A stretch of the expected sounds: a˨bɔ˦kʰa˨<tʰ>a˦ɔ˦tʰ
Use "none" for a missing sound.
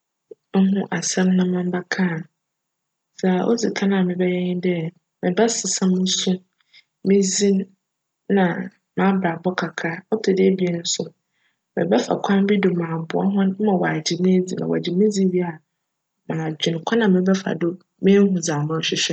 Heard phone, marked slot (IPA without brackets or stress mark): kʰ